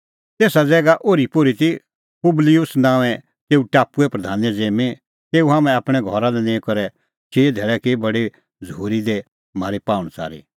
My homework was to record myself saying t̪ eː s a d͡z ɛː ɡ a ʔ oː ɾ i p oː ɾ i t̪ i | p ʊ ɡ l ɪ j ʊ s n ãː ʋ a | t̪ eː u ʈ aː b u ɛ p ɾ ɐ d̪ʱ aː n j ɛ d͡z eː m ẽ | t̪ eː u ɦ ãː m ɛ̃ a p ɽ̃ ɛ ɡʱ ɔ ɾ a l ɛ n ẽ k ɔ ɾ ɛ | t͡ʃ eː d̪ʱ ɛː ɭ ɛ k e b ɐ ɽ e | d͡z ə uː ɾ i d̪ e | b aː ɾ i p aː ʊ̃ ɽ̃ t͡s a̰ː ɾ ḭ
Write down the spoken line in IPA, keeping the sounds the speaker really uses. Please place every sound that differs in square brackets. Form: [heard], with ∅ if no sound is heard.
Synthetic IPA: t̪ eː s a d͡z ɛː ɡ a ʔ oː ɾ i p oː ɾ i t̪ i | p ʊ [b] l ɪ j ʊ s n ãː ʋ [ɛ] | t̪ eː u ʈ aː [p] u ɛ p ɾ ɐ d̪ʱ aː n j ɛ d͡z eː m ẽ | t̪ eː u ɦ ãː m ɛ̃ a p ɽ̃ ɛ ɡʱ ɔ ɾ a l ɛ n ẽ k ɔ ɾ ɛ | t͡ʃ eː d̪ʱ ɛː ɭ ɛ k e b ɐ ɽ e | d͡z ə uː ɾ i d̪ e | [m] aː ɾ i p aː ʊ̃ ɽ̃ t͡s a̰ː ɾ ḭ

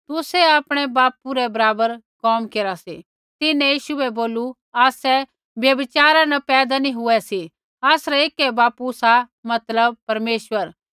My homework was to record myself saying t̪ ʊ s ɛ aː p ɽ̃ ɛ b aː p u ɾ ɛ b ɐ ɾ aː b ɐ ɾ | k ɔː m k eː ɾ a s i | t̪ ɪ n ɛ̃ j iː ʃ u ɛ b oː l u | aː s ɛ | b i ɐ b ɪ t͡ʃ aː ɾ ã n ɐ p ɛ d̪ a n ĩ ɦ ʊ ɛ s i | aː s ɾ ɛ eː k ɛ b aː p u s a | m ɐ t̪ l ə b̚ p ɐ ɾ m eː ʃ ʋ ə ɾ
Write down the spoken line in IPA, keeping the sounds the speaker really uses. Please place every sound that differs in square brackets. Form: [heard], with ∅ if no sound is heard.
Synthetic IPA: t̪ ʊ s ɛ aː p ɽ̃ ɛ b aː p u ɾ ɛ b ɐ ɾ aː b [ə] ɾ | k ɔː m k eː ɾ a s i | t̪ ɪ n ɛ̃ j iː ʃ u ɛ b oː l u | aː s ɛ | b [j] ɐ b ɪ t͡ʃ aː ɾ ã n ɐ p [ɛː] d̪ a n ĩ ɦ ʊ ɛ s i | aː s ɾ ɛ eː k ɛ b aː p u s a | m ɐ t̪ l ə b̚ p ɐ ɾ m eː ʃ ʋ ə ɾ

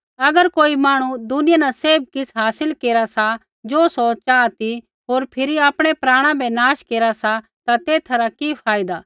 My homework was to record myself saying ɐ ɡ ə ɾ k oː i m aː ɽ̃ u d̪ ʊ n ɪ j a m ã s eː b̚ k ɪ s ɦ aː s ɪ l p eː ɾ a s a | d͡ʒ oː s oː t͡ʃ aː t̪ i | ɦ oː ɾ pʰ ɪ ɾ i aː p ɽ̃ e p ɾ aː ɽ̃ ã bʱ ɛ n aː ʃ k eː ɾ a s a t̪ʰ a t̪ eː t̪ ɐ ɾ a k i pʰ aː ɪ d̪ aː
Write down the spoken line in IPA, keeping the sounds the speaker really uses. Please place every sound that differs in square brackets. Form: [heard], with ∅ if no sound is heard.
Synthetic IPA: ɐ ɡ ə ɾ k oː i m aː ɽ̃ u d̪ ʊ n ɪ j a [n] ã s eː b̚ k ɪ s ɦ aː s ɪ l [k] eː ɾ a s a | d͡ʒ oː s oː t͡ʃ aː t̪ i | ɦ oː ɾ pʰ ɪ ɾ i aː p ɽ̃ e p ɾ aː ɽ̃ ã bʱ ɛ n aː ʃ k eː ɾ a s a [t̪] a t̪ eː [t̪ʰ] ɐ ɾ a k i pʰ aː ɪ d̪ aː

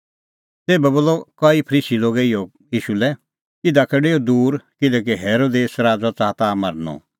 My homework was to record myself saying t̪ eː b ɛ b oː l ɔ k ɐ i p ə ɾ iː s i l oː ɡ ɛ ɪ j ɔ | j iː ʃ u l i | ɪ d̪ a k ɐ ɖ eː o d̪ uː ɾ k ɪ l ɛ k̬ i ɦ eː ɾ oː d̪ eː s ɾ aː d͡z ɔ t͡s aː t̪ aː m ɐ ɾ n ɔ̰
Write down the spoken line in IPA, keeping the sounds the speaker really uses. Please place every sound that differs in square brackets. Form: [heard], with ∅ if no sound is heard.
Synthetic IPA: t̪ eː b ɛ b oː l ɔ k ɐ i [pʰ] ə ɾ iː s i l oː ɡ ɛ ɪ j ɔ | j iː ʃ u l [ɛ] | ɪ d̪ a k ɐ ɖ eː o d̪ uː ɾ k ɪ l ɛ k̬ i ɦ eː ɾ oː d̪ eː s ɾ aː d͡z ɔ t͡s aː t̪ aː m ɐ ɾ n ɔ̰

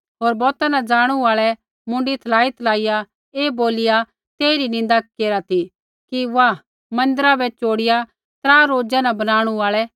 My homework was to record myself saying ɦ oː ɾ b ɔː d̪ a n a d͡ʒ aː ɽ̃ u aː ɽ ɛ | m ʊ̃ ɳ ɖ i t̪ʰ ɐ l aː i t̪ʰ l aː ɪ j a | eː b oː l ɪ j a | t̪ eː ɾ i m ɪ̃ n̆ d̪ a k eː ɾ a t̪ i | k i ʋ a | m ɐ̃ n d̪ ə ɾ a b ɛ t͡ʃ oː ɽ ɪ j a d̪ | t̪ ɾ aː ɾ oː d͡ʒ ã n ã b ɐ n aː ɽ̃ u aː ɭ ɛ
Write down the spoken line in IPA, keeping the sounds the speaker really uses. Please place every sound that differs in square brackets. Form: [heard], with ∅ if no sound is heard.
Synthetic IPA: ɦ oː ɾ b ɔː [t̪] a n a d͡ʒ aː ɽ̃ u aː [ɭ] ɛ | m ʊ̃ ɳ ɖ i t̪ʰ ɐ l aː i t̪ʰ l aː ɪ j a | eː b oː l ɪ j a | t̪ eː ɾ i [n] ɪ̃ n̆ d̪ a k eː ɾ a t̪ i | k i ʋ a | m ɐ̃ n d̪ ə ɾ a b ɛ t͡ʃ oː ɽ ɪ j a [∅] | t̪ ɾ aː ɾ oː d͡ʒ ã n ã b ɐ n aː ɽ̃ u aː ɭ ɛ

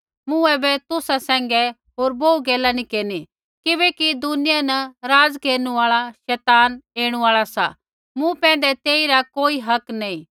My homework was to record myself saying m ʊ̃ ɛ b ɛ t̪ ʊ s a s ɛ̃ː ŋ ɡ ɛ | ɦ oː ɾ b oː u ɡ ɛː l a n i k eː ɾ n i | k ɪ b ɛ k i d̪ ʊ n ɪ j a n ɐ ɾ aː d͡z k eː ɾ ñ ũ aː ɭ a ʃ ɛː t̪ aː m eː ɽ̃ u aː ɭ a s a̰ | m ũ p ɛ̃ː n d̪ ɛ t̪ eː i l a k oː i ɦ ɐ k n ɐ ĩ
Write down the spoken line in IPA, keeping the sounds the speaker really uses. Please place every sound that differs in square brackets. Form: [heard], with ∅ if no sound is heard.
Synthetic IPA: m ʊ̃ ɛ b ɛ t̪ ʊ s a s ɛ̃ː ŋ ɡ ɛ | ɦ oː ɾ b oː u ɡ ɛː l a n i k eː ɾ n i | k ɪ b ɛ k i d̪ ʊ n ɪ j a n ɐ ɾ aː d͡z k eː ɾ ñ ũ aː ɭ a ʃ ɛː t̪ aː [n] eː ɽ̃ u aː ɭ a s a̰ | m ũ p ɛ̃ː n d̪ ɛ t̪ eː i [ɾ] a k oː i ɦ ɐ k n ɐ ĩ

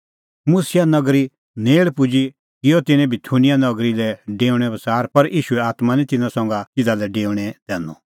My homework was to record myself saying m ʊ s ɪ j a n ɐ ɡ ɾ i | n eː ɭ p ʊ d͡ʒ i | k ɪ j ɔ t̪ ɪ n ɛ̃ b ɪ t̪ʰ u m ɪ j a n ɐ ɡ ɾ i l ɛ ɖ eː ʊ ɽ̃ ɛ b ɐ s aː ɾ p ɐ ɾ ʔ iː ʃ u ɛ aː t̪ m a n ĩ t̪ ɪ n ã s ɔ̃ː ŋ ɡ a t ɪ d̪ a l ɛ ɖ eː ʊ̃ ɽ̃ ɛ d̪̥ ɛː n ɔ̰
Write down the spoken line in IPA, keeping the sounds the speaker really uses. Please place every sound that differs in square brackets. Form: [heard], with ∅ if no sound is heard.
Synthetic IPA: m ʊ s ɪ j a n ɐ ɡ ɾ i | n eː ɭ p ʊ d͡ʒ i | k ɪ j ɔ t̪ ɪ n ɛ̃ b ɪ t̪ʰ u [n] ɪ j a n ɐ ɡ ɾ i l ɛ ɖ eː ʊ ɽ̃ ɛ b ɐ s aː ɾ p ɐ ɾ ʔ iː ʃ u ɛ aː t̪ m a n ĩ t̪ ɪ n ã s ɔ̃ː ŋ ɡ a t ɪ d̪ a l ɛ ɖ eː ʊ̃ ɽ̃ ɛ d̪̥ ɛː n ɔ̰

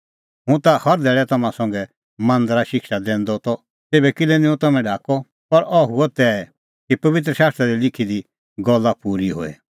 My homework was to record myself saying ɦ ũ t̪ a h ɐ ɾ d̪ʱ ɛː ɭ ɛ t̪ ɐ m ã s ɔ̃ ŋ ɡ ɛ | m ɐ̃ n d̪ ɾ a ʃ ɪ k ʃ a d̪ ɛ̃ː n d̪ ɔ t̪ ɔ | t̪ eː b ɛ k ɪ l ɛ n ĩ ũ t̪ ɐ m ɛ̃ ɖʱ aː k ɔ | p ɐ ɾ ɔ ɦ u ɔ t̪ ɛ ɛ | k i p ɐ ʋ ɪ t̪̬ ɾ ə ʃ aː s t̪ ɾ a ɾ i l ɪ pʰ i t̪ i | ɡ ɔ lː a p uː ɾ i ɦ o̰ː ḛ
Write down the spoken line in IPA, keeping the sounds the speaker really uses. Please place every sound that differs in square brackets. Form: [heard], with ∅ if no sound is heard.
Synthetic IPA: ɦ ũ t̪ a h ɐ ɾ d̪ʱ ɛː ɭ ɛ t̪ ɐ m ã s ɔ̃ ŋ ɡ ɛ | m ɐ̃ n d̪ ɾ a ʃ ɪ k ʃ a d̪ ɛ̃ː n d̪ ɔ t̪ ɔ | t̪ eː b ɛ k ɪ l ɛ n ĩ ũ t̪ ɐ m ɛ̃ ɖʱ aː k ɔ | p ɐ ɾ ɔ ɦ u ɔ t̪ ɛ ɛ | k i p ɐ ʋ ɪ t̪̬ ɾ ə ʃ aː s t̪ ɾ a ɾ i l ɪ [kʰ] i [d̪] i | ɡ ɔ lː a p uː ɾ i ɦ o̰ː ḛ

